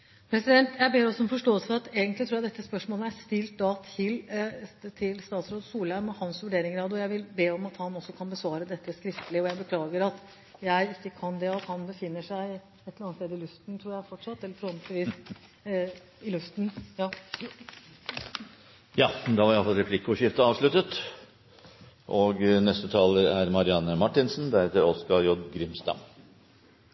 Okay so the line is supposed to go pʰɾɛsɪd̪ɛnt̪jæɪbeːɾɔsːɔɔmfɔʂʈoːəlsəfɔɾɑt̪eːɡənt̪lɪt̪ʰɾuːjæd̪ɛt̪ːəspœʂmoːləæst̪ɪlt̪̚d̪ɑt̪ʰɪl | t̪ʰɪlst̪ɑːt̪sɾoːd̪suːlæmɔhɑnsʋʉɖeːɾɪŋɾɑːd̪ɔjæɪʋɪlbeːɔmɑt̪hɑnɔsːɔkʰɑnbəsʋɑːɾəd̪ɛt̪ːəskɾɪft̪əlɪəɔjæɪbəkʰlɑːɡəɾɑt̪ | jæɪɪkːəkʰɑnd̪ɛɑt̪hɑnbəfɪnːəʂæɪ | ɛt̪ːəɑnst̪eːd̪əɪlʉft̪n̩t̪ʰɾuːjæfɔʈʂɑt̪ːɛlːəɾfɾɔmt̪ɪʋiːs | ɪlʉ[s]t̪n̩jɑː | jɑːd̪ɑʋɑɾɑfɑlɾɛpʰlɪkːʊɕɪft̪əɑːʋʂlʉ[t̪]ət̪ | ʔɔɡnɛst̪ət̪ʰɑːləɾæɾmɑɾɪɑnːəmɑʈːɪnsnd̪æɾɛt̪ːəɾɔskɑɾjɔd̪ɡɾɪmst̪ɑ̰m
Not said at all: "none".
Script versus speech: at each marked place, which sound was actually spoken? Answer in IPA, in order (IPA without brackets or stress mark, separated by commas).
f, t̪